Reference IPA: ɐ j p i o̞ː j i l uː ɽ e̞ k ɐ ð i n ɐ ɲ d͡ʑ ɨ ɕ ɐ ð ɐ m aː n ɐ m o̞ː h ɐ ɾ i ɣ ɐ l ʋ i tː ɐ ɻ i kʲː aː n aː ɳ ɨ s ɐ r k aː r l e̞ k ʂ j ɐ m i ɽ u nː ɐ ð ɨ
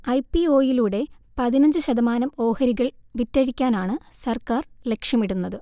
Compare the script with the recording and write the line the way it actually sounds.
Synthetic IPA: ɐ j p i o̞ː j i l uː ɽ e̞ p ɐ ð i n ɐ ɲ d͡ʑ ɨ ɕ ɐ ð ɐ m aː n ɐ m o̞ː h ɐ ɾ i ɣ ɐ ɭ ʋ i tː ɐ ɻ i kʲː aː n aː ɳ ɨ s ɐ r k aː r l e̞ k ʂ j ɐ m i ɽ u nː ɐ ð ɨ